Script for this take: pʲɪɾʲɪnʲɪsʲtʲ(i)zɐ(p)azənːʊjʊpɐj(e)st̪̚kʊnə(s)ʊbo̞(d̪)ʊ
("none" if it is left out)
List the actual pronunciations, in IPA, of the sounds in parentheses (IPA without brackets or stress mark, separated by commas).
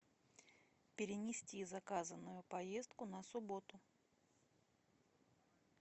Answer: i, k, e, s, t̪